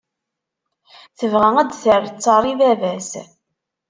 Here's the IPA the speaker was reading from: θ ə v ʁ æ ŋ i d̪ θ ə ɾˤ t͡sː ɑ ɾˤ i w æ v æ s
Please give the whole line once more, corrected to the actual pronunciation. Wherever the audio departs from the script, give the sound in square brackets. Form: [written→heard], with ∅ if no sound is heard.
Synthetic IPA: θ ə v ʁ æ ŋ [i→æ] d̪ θ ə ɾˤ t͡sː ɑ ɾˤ i [w→v] æ v æ s